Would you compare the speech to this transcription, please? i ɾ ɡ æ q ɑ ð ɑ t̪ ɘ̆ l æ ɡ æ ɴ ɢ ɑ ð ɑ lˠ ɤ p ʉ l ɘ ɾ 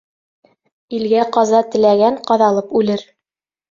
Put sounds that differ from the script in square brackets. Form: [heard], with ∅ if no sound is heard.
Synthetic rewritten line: i [l] ɡ æ q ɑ [z] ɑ t̪ ɘ̆ l æ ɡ æ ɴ [q] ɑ ð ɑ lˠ ɤ p ʉ l ɘ ɾ